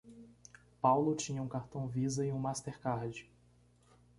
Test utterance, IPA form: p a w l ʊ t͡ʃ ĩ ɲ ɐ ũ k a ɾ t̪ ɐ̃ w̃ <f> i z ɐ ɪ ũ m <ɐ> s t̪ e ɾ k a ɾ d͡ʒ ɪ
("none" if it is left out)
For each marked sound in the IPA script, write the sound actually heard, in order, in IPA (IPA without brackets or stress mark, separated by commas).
v, a